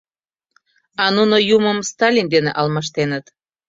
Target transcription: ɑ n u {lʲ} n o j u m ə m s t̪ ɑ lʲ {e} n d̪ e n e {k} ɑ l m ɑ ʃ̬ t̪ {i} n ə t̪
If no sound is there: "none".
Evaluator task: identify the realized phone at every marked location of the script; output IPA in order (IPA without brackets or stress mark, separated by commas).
none, i, ʔ, e